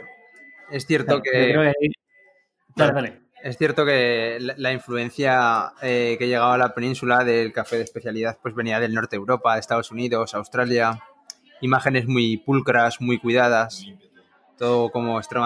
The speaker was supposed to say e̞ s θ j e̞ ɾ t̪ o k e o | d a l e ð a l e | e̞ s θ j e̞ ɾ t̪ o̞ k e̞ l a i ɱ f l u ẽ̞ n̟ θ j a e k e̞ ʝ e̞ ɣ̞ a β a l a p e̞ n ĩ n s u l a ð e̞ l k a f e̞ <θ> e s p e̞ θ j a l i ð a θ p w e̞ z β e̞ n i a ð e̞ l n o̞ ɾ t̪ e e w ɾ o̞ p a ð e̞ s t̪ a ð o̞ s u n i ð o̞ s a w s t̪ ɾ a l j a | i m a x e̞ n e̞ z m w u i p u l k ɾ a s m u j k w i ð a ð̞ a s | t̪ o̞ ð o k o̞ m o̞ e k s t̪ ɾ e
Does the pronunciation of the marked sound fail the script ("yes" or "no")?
yes